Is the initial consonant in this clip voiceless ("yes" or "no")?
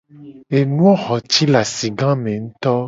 no